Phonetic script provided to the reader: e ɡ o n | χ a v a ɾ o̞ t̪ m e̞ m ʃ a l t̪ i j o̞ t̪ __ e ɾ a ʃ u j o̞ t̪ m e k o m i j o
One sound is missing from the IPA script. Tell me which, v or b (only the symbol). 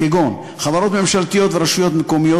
v